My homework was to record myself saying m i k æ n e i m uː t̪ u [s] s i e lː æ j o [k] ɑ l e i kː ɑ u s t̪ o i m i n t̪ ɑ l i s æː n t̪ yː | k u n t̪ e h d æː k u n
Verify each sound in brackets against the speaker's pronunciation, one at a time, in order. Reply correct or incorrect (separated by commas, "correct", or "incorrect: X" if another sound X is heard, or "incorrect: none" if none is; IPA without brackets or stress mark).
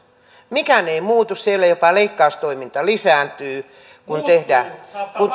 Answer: correct, incorrect: p